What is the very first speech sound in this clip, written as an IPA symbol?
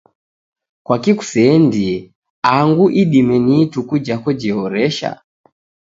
k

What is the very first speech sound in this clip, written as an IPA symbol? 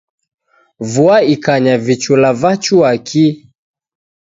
v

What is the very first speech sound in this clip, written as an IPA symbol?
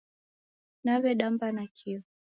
n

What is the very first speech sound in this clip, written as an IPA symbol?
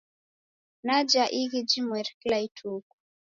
n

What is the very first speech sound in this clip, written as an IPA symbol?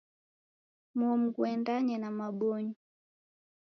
m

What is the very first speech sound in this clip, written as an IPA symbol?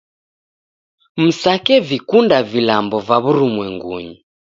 m̩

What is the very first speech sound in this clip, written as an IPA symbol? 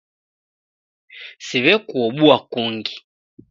s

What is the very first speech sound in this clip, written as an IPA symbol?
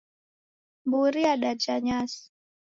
b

